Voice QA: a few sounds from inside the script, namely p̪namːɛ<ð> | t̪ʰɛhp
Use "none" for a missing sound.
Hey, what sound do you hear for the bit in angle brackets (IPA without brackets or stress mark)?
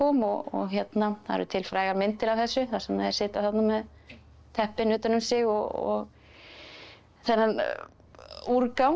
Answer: ð